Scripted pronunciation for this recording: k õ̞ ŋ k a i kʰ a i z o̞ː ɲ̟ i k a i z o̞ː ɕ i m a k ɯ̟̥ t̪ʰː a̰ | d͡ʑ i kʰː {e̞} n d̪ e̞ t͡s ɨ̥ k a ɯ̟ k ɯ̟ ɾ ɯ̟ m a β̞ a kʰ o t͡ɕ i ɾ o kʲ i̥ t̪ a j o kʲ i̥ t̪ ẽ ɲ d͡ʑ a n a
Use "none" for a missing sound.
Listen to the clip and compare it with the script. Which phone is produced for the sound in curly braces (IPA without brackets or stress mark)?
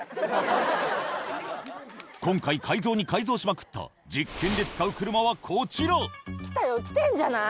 ẽ̞